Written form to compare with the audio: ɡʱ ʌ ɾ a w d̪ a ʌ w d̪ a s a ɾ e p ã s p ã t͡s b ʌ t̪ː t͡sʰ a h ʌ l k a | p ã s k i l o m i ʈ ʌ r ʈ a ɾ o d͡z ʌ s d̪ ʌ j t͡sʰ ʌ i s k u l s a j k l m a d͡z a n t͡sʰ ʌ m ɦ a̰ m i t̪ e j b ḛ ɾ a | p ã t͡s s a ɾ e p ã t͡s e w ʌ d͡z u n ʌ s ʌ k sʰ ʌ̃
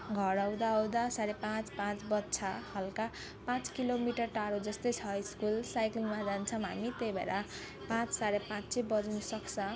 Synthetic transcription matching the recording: ɡʱ ʌ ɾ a w d̪ a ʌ w d̪ a s a ɾ e p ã t͡s p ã t͡s b ʌ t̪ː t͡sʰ a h ʌ l k a | p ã t͡s k i l o m i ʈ ʌ r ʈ a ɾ o d͡z ʌ s t̪ ʌ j t͡sʰ ʌ i s k u l s a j k l m a d͡z a n t͡sʰ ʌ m ɦ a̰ m i t̪ e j b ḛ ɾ a | p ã t͡s s a ɾ e p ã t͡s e b ʌ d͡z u n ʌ s ʌ k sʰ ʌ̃